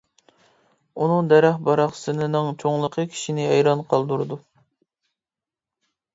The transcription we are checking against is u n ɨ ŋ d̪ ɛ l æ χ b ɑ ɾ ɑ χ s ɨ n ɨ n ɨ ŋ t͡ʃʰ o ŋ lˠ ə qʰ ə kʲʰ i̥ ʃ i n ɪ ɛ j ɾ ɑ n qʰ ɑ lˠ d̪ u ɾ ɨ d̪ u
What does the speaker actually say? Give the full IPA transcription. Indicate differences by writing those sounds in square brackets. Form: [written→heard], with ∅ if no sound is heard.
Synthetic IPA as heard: u n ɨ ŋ d̪ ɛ [l→ɾ] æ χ b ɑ ɾ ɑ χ s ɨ n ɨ n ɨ ŋ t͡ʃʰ o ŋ lˠ ə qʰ ə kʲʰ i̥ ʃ i n ɪ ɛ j ɾ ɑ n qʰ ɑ lˠ d̪ u ɾ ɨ d̪ u